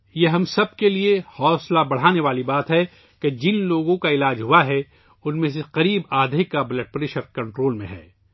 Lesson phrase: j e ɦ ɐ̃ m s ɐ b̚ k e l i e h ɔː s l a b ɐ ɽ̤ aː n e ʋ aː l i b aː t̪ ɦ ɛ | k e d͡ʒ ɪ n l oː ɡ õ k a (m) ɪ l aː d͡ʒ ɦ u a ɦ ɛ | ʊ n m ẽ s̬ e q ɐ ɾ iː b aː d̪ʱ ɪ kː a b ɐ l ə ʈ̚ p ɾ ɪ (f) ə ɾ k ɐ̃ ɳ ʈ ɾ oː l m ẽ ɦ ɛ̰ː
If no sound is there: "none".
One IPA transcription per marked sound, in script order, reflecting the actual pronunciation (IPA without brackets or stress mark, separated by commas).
none, ʃ